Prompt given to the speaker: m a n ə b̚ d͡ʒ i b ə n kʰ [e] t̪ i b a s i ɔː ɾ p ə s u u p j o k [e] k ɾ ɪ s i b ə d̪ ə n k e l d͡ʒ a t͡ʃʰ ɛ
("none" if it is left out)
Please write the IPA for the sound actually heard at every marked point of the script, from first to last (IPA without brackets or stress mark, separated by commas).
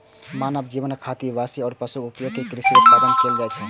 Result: a, e